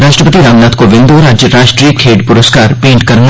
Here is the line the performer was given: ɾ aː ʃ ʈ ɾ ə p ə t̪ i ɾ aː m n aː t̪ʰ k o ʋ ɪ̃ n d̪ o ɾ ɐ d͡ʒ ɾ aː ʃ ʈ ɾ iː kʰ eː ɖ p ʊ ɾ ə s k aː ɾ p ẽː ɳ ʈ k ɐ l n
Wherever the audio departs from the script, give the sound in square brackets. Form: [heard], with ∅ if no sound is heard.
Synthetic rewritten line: ɾ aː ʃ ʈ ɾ ə p ə t̪ i ɾ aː m n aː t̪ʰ k o ʋ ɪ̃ n d̪ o ɾ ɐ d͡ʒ ɾ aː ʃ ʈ ɾ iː kʰ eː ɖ p ʊ ɾ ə s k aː ɾ p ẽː ɳ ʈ k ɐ [ɾ] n